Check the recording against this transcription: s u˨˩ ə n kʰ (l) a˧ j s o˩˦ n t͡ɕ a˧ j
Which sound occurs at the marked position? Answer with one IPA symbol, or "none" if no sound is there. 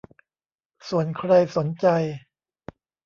ɾ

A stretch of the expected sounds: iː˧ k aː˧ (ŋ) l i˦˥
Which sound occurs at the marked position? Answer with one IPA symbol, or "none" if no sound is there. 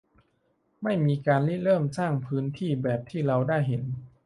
n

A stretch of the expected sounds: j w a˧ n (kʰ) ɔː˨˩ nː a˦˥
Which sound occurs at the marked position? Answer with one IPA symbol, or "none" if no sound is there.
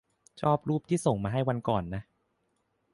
k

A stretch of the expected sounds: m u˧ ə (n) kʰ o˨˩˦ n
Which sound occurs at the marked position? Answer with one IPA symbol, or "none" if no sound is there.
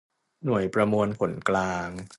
n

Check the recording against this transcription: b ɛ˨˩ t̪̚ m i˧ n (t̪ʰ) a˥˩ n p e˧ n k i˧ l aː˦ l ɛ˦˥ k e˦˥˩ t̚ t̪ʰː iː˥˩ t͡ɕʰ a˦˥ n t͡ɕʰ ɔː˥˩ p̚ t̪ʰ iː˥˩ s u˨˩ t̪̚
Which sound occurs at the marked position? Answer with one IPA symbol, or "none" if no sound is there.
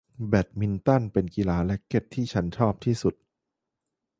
t̪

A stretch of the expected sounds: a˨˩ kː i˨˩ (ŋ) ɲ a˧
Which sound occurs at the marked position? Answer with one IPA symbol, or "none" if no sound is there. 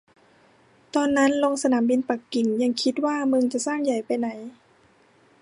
ŋ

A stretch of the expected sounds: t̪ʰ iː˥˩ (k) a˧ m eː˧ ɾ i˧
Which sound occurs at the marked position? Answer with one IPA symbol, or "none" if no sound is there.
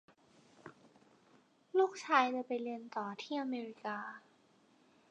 ʔ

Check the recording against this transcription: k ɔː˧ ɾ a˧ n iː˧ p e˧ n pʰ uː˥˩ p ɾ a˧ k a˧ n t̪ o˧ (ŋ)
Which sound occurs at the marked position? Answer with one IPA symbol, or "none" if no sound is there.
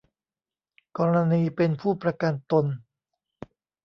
n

